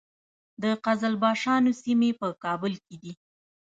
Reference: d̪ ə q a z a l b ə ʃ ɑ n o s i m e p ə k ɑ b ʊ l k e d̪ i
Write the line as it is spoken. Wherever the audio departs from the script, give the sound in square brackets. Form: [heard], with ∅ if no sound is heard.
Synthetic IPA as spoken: d̪ ə q a z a l b [ɑ] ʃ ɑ n o s i m e p ə k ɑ b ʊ l k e d̪ i